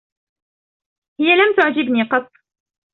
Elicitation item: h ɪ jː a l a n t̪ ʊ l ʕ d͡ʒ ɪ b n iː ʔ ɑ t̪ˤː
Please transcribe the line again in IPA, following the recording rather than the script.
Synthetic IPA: h ɪ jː a l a m t̪ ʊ ʕ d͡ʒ ɪ b n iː q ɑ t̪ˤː